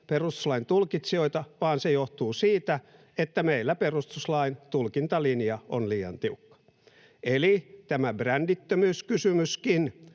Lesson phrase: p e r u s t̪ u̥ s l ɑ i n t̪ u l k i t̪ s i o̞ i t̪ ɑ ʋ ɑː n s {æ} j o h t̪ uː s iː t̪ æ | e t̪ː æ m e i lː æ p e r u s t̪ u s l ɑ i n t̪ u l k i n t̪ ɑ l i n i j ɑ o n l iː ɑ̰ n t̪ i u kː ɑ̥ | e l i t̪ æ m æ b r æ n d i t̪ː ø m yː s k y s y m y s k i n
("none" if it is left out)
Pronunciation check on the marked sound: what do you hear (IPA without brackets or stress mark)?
e